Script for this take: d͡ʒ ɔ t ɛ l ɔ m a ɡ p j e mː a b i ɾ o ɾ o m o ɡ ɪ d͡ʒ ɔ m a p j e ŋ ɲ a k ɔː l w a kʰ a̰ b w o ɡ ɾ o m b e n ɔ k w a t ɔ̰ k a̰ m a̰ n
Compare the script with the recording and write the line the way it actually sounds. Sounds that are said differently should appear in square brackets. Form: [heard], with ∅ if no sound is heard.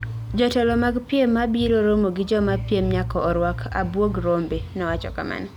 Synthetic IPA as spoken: d͡ʒ ɔ t ɛ l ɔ m a ɡ p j e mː a b i ɾ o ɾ o m o ɡ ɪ d͡ʒ ɔ m a p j e [m] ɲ a k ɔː [ɾ] w a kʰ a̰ b w o ɡ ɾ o m b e n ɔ [∅] w a [t͡ʃ] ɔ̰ k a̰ m a̰ n